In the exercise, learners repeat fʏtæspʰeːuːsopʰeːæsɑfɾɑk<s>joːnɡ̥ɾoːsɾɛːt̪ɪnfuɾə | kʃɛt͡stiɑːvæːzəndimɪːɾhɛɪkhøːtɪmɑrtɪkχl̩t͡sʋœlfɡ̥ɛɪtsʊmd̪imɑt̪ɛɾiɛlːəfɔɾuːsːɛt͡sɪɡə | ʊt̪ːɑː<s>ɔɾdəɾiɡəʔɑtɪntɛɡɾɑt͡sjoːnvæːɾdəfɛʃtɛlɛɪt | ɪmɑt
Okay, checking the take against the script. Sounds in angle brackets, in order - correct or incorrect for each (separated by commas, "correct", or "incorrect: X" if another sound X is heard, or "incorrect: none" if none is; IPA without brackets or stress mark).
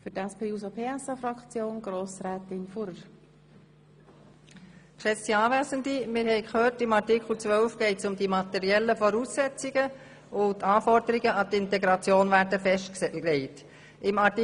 incorrect: t͡s, incorrect: f